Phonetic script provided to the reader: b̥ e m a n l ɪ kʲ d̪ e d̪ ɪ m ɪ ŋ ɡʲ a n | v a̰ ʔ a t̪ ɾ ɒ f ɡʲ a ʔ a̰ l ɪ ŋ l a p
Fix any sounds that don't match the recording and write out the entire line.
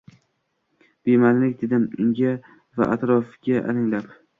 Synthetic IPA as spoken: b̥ e m a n l ɪ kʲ d̪ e d̪ ɪ m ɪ ŋ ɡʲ a | v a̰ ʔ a t̪ ɾ ɒ f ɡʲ a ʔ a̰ l ɪ ŋ l a p